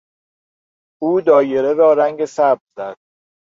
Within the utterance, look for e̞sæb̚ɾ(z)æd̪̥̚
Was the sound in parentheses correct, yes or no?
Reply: yes